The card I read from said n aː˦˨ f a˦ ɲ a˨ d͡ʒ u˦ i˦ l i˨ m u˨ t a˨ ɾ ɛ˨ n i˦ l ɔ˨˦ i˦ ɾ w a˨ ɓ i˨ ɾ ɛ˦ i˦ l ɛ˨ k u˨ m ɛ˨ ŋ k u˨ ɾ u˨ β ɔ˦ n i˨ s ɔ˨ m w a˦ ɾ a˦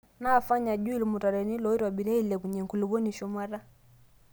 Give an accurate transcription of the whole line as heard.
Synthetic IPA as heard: n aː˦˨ f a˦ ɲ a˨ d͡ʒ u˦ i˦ l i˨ m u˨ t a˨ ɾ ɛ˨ n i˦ l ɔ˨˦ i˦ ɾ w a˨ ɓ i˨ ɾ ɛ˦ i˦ l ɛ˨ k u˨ ɲ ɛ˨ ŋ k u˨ l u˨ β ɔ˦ n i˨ ʃ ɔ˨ m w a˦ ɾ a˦